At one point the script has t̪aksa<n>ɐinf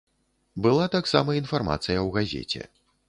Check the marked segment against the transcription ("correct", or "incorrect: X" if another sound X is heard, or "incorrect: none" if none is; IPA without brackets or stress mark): incorrect: m